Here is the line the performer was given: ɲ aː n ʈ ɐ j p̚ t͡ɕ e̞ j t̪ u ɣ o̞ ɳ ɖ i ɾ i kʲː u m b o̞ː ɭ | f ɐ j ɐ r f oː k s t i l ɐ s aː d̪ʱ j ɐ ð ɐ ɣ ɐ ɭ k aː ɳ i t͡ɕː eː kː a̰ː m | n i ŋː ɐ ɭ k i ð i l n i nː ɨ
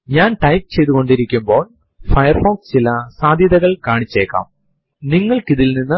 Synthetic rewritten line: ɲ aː n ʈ ɐ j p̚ t͡ɕ e̞ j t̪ u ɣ o̞ ɳ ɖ i ɾ i kʲː u m b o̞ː ɭ | f ɐ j ɐ r f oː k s t͡ɕ i l ɐ s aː d̪ʱ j ɐ ð ɐ ɣ ɐ ɭ k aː ɳ i t͡ɕː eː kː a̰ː m | n i ŋː ɐ ɭ k i ð i l n i nː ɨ